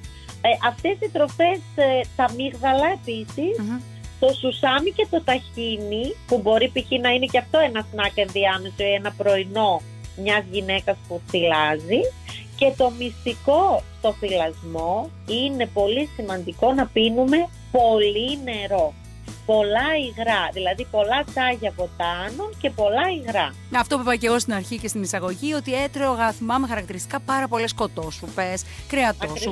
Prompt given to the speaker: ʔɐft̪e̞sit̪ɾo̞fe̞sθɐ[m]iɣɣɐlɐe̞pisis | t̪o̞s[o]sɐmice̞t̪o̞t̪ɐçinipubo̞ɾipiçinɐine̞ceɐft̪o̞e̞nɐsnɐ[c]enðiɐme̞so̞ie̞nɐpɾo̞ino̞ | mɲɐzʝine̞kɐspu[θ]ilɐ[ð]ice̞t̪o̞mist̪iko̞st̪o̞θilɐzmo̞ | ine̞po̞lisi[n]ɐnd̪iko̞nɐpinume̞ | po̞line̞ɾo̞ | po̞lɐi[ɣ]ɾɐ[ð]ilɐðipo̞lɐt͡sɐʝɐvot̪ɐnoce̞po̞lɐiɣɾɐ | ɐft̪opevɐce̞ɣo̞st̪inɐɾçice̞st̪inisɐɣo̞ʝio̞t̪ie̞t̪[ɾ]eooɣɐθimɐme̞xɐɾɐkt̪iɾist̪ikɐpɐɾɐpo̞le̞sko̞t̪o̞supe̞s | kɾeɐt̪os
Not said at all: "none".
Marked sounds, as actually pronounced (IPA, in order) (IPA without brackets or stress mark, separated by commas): m, u, k, θ, z, m, ɣ, ð, ɾ